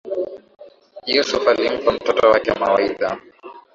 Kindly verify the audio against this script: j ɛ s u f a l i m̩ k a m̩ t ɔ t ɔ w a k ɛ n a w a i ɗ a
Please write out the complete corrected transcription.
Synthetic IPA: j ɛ s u f a l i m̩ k a m̩ t ɔ t ɔ w a k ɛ m a w a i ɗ a